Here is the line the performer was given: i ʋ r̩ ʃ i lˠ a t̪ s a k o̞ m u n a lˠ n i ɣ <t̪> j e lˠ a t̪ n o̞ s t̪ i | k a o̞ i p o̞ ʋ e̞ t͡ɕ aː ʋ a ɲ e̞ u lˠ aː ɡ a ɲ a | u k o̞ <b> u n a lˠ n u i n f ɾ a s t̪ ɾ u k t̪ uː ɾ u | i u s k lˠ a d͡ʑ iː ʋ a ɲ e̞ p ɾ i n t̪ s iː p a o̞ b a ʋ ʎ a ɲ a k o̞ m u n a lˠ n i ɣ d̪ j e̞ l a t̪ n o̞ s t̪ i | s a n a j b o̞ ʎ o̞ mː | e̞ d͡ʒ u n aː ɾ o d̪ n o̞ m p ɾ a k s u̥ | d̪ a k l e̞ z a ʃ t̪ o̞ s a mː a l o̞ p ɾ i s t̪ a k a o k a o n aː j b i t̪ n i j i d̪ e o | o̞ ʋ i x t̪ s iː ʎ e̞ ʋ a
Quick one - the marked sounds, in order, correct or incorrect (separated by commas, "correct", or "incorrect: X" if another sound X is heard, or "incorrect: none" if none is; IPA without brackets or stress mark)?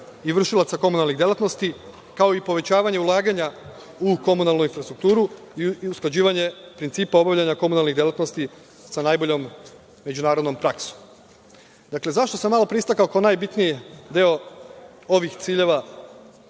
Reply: incorrect: d̪, incorrect: m